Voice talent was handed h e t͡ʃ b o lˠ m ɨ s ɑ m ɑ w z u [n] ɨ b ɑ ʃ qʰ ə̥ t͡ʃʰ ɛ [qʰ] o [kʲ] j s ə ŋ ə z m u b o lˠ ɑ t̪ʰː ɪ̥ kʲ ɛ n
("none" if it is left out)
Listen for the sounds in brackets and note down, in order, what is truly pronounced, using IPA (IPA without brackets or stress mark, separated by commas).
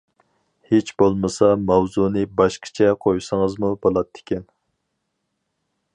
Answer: n, qʰ, none